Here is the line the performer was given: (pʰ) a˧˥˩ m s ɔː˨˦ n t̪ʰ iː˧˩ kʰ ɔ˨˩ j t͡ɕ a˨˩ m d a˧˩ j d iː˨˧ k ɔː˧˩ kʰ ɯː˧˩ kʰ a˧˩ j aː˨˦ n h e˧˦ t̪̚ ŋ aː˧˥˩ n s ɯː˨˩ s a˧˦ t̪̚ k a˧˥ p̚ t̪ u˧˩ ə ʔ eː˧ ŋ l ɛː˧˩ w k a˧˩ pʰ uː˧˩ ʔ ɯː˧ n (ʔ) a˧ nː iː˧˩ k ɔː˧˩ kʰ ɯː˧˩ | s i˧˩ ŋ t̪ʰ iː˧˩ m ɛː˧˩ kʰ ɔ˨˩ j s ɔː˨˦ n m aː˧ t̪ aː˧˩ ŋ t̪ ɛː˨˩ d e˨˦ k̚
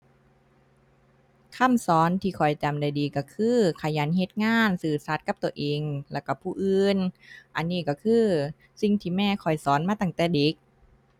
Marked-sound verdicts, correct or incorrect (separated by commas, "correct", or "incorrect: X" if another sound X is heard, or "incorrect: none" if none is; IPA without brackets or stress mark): incorrect: kʰ, correct